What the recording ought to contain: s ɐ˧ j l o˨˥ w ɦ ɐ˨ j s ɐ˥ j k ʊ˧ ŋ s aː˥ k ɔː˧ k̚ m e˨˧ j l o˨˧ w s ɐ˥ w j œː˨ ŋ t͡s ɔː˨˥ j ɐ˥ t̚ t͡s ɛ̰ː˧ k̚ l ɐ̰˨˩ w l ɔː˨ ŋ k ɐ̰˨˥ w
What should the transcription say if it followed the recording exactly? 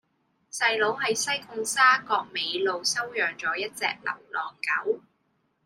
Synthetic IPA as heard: s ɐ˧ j l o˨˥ w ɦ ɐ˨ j s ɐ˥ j k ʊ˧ ŋ s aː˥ k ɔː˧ k̚ m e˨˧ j l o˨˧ w s ɐ˥ w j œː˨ ŋ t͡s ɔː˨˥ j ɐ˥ t̚ t͡s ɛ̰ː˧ k̚ l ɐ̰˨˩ w l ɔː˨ ŋ k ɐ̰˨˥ w